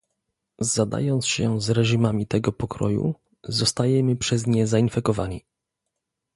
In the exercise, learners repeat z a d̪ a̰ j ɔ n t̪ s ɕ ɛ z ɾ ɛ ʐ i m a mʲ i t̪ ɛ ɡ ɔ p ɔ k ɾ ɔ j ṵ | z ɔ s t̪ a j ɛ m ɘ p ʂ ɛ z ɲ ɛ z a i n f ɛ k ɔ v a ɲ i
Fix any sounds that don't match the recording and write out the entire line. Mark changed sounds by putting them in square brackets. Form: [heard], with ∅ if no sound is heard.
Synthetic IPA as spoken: z a d̪ a̰ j ɔ n t̪ s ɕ ɛ z ɾ ɛ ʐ i m a mʲ i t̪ ɛ ɡ ɔ p ɔ k ɾ ɔ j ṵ | z ɔ s t̪ a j ɛ m ɘ p ʂ ɛ z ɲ ɛ z a i n f ɛ k ɔ v a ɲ i